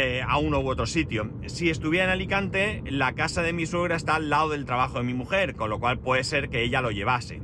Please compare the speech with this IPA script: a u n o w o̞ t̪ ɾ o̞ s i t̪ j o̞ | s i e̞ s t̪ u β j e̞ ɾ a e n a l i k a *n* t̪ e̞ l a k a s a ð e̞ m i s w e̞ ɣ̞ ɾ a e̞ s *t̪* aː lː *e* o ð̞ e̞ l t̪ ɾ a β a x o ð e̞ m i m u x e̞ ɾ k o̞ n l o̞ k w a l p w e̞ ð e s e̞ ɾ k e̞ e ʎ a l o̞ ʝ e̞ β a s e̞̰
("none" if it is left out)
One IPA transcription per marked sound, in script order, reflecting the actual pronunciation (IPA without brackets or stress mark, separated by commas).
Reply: n, t̪, a